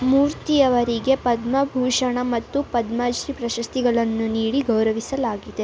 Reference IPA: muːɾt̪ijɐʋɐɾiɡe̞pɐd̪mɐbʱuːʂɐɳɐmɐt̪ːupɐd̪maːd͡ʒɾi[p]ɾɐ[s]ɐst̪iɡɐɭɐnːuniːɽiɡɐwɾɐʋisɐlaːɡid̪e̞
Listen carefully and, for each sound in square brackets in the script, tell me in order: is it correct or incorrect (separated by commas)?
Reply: correct, incorrect